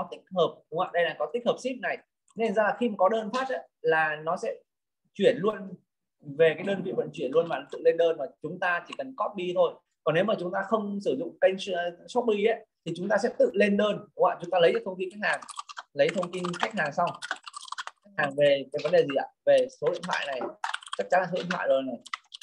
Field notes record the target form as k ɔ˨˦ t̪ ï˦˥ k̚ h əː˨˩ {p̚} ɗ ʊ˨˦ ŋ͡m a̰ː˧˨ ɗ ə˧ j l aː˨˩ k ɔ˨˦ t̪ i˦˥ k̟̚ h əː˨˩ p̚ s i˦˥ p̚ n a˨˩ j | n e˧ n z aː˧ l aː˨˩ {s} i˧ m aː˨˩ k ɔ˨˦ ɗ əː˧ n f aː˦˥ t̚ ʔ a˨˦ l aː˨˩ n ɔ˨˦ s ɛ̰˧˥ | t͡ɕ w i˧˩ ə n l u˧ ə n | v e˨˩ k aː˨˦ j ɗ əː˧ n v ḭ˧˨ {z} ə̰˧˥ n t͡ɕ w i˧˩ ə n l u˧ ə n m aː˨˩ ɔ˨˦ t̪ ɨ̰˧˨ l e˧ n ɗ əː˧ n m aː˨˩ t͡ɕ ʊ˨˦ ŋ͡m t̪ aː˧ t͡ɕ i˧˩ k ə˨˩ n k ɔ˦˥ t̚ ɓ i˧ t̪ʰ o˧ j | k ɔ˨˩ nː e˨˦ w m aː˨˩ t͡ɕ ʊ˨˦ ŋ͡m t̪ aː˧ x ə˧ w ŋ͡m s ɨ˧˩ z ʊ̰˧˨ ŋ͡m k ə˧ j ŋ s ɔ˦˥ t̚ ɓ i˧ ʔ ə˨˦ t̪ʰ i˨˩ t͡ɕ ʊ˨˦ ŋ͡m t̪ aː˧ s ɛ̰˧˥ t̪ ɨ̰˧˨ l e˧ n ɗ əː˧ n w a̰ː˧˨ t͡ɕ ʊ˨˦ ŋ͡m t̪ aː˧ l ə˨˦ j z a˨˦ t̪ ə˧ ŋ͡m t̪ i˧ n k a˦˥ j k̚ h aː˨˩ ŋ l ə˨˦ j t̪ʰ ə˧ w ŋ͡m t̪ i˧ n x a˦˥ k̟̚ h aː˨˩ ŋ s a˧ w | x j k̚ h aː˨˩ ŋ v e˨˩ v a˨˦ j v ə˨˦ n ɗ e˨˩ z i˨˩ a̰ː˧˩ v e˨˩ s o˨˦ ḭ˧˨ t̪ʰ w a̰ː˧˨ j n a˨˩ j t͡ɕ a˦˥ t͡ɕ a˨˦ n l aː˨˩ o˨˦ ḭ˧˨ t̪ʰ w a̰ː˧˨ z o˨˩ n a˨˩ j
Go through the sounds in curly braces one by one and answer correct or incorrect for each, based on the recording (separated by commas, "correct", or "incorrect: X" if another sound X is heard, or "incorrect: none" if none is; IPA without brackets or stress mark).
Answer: correct, incorrect: x, incorrect: v